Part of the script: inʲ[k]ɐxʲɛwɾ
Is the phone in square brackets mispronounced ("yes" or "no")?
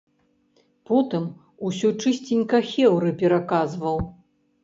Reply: no